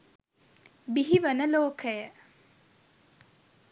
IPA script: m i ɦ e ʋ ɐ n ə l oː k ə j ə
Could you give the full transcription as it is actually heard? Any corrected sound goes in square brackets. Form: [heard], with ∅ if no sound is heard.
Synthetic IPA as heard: [b] i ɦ [i] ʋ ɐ n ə l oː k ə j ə